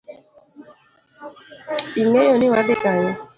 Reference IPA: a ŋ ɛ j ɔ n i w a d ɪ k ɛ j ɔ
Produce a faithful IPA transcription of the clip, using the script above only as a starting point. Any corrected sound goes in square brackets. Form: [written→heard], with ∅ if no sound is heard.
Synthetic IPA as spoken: [a→i] ŋ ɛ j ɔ n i w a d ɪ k [ɛ→a] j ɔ